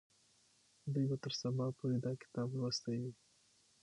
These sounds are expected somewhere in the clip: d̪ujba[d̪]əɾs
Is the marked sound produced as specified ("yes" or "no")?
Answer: no